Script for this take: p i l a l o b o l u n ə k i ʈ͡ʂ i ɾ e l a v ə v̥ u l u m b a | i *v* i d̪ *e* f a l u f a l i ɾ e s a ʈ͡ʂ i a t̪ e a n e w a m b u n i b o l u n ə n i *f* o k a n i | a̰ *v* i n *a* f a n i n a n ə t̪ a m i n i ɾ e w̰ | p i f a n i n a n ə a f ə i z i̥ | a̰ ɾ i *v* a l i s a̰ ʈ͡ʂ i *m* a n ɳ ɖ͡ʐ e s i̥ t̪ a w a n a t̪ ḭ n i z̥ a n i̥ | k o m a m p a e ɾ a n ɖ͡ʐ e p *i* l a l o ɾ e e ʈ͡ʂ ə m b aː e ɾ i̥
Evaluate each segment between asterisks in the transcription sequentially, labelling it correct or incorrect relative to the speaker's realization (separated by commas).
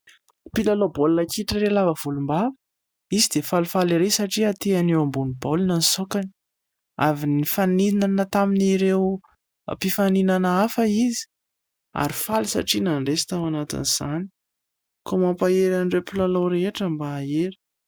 incorrect, correct, incorrect, correct, incorrect, incorrect, incorrect, correct